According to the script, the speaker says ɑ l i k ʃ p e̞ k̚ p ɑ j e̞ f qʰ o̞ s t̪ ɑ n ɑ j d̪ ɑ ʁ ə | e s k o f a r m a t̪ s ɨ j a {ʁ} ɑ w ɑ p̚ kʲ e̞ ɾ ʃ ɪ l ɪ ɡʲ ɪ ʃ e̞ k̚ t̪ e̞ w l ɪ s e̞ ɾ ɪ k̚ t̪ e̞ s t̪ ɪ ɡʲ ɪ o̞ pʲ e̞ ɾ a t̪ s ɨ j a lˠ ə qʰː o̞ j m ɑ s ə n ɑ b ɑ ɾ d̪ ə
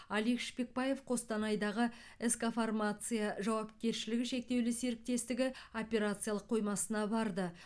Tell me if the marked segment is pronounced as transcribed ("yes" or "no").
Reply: no